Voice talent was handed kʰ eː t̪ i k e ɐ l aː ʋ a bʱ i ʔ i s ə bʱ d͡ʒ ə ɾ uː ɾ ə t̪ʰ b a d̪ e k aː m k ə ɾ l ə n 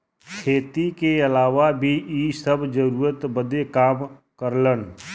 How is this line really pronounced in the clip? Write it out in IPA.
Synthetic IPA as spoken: kʰ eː t̪ i k e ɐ l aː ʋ a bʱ i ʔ i s ə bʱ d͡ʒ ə ɾ uː ɾ ə t̪ b ə d̪ e k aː m k ə ɾ l ə n